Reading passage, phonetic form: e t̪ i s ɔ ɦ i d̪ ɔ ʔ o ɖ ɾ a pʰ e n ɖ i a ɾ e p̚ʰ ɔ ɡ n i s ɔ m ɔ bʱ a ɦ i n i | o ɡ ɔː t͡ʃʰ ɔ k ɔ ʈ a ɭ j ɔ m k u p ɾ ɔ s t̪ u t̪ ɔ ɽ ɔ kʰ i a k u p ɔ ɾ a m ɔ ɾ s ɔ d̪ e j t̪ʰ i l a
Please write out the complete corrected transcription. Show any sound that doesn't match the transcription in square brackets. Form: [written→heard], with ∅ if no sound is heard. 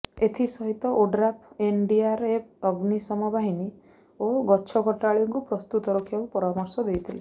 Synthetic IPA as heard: e [t̪→t̪ʰ] i s ɔ ɦ i [d̪→t̪] ɔ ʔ o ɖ ɾ a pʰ e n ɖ i a ɾ e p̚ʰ ɔ ɡ n i s ɔ m ɔ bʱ a ɦ i n i | o ɡ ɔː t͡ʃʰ ɔ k ɔ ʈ a ɭ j ɔ [m→ŋ] k u p ɾ ɔ s t̪ u t̪ ɔ [ɽ→ɾ] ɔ kʰ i a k u p ɔ ɾ a m ɔ ɾ s ɔ d̪ e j t̪ʰ i l [a→e]